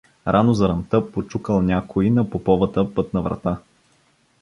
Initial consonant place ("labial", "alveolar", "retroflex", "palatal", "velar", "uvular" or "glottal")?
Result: alveolar